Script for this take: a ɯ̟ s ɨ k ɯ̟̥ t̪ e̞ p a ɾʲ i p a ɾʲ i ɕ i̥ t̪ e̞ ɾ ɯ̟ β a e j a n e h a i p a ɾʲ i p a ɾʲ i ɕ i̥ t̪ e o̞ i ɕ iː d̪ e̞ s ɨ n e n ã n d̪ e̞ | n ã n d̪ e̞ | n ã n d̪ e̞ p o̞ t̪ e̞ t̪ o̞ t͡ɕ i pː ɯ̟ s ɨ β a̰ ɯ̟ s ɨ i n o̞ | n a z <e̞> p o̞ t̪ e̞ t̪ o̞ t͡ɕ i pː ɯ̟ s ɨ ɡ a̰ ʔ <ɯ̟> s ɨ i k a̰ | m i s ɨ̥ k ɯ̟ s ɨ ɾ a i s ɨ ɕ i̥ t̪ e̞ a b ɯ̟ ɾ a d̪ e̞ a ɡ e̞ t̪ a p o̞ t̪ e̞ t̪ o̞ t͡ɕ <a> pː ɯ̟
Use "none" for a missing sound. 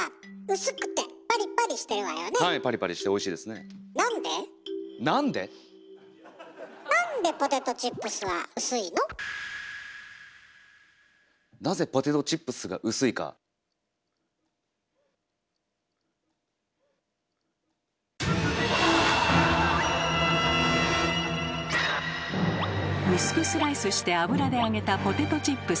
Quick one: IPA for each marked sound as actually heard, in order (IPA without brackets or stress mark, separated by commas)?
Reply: e̞, ɯ̟, i